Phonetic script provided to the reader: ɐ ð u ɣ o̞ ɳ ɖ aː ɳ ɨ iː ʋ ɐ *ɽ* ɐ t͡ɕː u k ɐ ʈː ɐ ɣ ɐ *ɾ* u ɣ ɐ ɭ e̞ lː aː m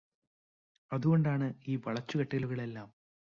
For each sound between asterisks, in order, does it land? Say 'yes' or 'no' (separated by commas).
no, no